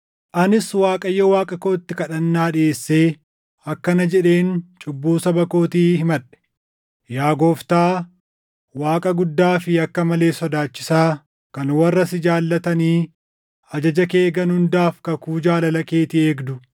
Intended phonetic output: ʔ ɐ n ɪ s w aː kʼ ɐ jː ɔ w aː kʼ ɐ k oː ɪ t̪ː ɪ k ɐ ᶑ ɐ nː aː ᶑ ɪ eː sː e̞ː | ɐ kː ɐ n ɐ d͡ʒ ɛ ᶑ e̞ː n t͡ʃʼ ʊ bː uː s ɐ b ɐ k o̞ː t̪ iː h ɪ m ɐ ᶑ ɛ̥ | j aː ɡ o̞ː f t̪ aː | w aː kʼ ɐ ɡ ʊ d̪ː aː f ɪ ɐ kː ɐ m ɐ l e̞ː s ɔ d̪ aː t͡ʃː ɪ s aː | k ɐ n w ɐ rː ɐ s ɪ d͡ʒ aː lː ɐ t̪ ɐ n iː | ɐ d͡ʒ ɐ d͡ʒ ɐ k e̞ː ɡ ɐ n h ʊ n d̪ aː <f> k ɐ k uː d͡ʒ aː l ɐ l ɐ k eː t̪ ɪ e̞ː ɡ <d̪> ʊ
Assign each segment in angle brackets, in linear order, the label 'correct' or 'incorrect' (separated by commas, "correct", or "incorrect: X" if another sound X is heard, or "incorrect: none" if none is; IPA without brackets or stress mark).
correct, correct